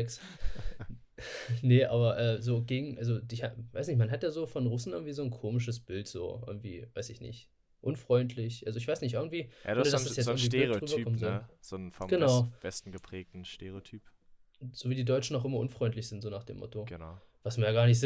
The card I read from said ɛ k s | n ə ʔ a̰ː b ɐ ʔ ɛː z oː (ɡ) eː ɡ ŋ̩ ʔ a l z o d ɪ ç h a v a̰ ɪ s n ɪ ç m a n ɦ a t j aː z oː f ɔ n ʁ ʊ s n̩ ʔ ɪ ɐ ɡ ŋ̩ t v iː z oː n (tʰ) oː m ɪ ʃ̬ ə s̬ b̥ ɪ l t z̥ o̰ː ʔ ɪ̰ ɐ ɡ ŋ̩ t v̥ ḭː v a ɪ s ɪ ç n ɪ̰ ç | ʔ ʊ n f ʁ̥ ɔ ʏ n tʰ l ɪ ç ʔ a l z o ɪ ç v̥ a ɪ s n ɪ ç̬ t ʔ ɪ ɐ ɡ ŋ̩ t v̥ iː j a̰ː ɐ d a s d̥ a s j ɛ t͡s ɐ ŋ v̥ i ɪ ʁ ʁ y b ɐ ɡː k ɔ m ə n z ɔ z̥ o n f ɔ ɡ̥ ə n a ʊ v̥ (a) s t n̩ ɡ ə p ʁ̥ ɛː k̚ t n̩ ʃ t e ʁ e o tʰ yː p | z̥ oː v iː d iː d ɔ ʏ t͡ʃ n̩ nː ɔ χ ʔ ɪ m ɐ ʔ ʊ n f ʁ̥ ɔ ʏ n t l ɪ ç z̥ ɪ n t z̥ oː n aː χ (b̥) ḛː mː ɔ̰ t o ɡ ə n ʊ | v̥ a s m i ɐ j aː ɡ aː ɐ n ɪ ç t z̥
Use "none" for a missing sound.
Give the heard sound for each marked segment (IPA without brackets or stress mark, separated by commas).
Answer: ɡ, kʰ, ɛ, d̥